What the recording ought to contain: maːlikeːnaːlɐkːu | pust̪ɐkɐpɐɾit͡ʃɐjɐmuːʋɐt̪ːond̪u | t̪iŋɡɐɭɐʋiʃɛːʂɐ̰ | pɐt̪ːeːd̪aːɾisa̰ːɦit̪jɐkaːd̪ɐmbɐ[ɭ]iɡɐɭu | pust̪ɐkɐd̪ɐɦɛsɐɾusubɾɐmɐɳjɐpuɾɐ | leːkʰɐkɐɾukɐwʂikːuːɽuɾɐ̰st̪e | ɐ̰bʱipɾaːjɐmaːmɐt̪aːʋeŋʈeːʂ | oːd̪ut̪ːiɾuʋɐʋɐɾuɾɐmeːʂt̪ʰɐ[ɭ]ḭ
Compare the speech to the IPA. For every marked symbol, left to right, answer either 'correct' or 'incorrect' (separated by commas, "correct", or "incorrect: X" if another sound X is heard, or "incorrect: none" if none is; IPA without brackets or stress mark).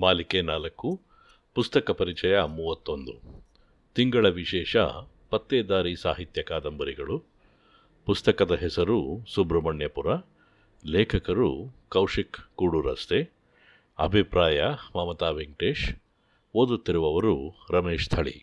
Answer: incorrect: ɾ, correct